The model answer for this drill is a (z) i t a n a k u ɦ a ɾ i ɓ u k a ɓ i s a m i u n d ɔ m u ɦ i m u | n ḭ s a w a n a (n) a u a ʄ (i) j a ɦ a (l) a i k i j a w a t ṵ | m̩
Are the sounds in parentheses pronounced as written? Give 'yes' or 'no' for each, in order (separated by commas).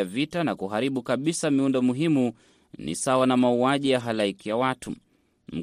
no, no, yes, yes